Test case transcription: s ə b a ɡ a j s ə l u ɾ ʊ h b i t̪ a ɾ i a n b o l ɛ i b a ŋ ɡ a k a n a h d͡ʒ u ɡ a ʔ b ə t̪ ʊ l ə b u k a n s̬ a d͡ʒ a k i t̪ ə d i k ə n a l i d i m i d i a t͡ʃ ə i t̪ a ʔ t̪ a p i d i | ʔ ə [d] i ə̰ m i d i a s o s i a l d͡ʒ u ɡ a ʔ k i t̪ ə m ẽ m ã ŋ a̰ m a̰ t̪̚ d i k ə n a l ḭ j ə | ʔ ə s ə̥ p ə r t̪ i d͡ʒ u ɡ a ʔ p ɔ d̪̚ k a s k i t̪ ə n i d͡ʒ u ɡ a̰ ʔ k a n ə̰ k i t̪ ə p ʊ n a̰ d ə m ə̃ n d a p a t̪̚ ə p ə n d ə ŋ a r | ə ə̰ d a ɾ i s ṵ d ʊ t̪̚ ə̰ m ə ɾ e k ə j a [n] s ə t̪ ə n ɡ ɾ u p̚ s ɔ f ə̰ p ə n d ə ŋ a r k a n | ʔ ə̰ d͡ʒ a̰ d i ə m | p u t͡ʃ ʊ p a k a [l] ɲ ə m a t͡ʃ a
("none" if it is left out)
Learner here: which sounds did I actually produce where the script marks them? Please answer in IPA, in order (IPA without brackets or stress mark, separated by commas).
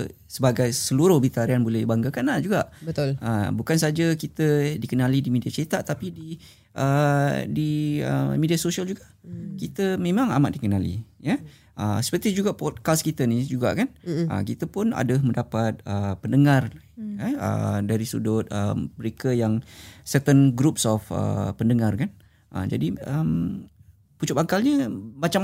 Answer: d, ŋ, l